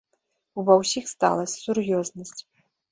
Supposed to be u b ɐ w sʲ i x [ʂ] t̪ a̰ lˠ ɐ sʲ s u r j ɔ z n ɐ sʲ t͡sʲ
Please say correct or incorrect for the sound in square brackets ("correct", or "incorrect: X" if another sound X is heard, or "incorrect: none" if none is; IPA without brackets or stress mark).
incorrect: s